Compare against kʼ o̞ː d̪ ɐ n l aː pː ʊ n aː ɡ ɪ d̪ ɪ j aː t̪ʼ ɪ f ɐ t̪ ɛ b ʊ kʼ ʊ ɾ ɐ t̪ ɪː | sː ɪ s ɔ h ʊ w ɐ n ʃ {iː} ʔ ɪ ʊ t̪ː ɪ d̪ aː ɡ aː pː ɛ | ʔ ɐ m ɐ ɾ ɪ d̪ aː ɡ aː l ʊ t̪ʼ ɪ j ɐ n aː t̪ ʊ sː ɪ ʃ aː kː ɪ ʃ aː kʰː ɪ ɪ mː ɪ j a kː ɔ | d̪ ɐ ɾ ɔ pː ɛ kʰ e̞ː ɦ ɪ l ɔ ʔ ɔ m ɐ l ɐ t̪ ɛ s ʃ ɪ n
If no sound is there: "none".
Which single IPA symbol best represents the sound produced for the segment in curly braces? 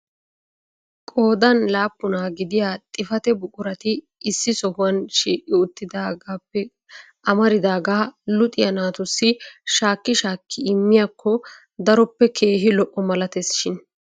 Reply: iː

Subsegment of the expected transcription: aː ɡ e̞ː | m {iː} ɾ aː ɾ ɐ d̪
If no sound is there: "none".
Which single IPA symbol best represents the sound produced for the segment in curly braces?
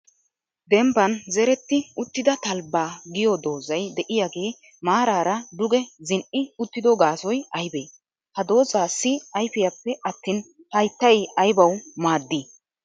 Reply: aː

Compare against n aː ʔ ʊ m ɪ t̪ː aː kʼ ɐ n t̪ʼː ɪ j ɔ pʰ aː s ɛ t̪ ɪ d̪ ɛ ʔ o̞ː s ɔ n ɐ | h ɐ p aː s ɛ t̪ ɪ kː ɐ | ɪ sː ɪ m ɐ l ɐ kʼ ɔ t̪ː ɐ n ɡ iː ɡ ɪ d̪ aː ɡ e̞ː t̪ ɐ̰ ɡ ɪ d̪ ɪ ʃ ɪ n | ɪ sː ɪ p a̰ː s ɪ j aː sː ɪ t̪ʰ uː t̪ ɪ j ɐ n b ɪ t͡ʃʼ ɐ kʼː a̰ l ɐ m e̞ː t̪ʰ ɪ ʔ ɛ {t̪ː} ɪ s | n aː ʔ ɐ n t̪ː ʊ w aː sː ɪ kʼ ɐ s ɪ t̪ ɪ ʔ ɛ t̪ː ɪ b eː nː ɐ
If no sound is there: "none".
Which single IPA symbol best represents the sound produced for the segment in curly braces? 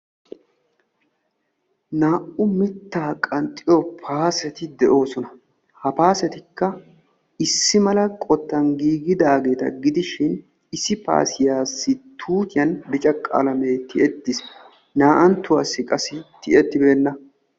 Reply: t̪ː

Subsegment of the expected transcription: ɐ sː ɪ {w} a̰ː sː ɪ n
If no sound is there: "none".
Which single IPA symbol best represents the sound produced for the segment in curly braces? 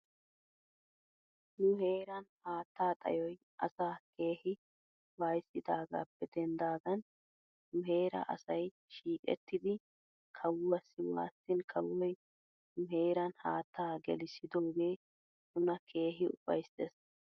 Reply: w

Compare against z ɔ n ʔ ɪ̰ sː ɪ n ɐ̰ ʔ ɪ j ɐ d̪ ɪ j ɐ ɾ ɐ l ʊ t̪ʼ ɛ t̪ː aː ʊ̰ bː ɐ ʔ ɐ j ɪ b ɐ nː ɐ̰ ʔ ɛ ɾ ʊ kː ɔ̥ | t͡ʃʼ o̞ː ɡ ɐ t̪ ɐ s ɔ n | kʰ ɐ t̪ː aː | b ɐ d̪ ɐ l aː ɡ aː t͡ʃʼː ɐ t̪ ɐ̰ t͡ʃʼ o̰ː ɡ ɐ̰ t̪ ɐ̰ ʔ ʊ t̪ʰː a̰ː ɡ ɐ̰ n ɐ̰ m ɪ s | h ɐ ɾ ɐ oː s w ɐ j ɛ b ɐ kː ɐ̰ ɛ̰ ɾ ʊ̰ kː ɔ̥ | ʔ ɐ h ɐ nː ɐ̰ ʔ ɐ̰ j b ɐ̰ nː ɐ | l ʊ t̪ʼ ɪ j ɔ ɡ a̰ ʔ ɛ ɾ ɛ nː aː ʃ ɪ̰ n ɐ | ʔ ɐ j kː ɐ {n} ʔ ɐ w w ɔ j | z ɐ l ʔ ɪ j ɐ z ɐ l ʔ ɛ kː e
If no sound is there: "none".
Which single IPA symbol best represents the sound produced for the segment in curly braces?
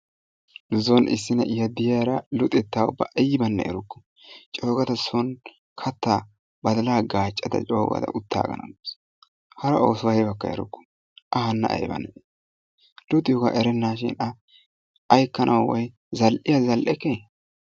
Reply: n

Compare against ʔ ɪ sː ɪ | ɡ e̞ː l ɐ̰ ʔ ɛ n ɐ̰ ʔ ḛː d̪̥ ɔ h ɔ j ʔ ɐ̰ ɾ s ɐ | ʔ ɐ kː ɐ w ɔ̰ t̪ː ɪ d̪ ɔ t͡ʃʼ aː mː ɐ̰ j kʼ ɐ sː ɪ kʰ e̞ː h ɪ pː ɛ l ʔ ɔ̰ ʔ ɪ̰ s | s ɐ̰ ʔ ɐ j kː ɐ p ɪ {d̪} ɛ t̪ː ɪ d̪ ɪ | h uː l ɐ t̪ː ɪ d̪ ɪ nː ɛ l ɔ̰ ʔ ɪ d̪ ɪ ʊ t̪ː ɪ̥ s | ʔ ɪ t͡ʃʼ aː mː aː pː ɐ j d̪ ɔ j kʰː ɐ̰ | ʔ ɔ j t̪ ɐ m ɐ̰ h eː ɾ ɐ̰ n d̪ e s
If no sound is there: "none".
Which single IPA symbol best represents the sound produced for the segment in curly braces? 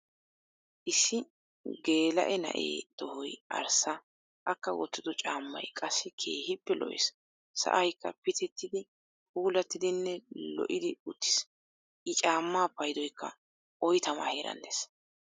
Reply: t̪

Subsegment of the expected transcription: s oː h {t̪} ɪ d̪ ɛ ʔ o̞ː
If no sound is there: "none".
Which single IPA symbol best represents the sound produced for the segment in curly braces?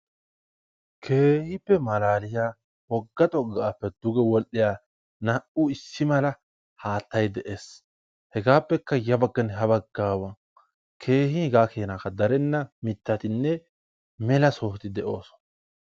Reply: t̪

